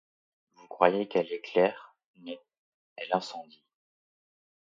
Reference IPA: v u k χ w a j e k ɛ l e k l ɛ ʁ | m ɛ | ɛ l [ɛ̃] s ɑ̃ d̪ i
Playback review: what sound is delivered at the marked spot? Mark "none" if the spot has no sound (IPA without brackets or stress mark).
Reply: ɛ̃